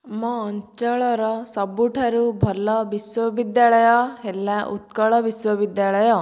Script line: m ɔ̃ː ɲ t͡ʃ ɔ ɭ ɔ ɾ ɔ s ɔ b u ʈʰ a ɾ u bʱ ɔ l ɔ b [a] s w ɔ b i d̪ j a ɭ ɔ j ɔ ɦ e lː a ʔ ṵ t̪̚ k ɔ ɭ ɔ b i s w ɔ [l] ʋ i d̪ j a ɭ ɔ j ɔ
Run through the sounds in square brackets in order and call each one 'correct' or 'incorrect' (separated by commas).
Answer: incorrect, incorrect